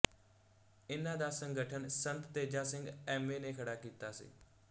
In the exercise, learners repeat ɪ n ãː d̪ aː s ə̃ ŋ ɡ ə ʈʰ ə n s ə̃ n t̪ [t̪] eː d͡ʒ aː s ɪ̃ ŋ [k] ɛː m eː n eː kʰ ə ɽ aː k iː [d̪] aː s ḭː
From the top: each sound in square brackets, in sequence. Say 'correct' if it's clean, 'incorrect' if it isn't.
correct, incorrect: ɡ, incorrect: t̪

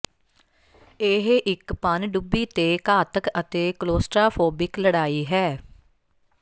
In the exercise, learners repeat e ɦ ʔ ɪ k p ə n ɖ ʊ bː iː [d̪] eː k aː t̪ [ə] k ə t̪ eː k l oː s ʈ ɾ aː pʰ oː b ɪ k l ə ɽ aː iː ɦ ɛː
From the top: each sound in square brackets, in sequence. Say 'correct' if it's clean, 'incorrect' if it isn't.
incorrect: t̪, correct

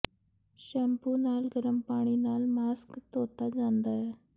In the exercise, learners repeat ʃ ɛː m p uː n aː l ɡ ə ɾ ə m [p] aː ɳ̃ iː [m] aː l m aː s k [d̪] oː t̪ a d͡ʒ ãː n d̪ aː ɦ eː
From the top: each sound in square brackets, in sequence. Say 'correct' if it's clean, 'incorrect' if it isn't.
correct, incorrect: n, incorrect: t̪

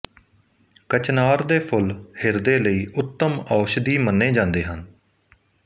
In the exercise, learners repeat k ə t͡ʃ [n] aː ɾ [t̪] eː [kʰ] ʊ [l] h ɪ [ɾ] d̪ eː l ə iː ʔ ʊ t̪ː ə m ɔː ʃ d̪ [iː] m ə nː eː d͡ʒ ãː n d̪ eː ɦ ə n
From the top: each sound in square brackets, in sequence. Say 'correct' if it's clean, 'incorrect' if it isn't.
correct, incorrect: d̪, incorrect: pʰ, correct, correct, correct

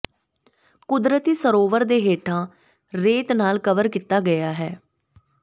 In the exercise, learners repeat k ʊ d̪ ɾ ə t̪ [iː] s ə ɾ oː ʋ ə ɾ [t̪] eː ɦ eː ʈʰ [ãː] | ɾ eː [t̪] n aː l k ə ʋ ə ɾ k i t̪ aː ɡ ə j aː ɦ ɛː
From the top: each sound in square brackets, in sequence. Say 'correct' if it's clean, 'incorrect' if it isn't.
correct, incorrect: d̪, correct, correct

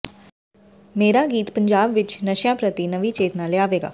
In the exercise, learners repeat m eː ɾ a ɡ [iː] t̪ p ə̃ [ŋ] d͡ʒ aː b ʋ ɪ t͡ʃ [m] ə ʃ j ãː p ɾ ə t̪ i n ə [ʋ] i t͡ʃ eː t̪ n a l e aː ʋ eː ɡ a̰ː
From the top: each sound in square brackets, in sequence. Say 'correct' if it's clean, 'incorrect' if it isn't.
correct, incorrect: ɲ, incorrect: n, correct

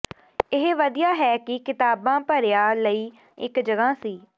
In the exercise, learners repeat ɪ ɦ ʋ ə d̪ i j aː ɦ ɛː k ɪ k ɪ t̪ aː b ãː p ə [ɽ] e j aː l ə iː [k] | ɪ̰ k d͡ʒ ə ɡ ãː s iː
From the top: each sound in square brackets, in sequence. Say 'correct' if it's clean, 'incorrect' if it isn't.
incorrect: ɾ, incorrect: none

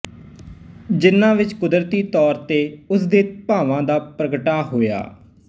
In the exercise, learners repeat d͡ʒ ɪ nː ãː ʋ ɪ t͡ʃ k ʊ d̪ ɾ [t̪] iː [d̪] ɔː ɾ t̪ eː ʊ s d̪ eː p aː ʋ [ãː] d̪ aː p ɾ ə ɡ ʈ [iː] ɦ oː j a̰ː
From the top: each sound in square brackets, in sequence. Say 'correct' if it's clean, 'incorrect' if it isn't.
correct, incorrect: t̪, correct, incorrect: aː

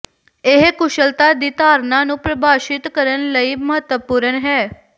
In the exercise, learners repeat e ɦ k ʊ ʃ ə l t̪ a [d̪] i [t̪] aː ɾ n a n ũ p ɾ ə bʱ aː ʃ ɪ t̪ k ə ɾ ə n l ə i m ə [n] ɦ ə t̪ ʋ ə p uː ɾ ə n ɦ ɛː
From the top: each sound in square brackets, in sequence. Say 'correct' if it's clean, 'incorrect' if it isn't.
correct, correct, incorrect: none

